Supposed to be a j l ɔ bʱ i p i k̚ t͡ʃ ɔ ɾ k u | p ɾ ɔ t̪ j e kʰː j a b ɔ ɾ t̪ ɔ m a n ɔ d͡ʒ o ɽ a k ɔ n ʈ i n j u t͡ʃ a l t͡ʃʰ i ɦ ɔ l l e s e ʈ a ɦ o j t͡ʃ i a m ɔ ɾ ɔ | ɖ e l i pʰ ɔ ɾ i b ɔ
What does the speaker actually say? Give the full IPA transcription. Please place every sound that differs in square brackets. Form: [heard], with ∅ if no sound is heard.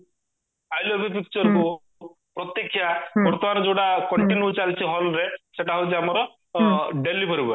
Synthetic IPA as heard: a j l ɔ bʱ i p i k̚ t͡ʃ ɔ ɾ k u | p ɾ ɔ t̪ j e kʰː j a b ɔ ɾ t̪ ɔ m a n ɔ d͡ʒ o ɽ a k ɔ [ɳ] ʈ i n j u t͡ʃ a l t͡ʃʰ i ɦ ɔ l [ɾ] e s e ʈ a ɦ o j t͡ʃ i a m ɔ ɾ ɔ | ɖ e l i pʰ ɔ ɾ i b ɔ